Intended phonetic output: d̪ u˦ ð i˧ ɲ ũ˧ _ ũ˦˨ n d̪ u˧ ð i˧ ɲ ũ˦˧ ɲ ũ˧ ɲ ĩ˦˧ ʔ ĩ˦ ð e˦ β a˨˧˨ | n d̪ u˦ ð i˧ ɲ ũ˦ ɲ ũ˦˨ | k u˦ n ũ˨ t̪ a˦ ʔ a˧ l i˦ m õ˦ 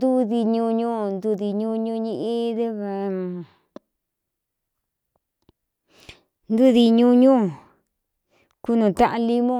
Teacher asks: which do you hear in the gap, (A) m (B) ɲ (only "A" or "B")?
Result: B